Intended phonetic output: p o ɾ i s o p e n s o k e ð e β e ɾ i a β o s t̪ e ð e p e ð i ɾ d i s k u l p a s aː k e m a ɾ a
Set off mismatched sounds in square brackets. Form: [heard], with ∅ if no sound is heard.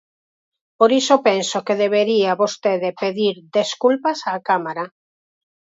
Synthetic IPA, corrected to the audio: p o ɾ i s o p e n s o k e ð e β e ɾ i a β o s t̪ e ð e p e ð i ɾ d [e] s k u l p a s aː k [a] m a ɾ a